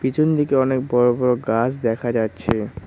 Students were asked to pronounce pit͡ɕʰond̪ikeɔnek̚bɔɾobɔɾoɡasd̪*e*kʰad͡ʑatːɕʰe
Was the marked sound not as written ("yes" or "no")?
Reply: yes